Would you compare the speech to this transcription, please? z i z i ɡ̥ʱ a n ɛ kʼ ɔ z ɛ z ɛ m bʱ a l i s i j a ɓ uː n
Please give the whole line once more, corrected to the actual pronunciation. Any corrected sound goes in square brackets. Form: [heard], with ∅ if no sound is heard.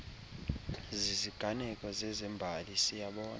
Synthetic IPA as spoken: z i z i ɡ̥ʱ a n ɛ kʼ ɔ z ɛ z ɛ m bʱ a l i s i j a ɓ [ɔː] n